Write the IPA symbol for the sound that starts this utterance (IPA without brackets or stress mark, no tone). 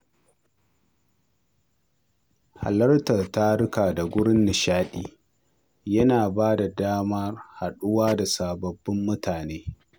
h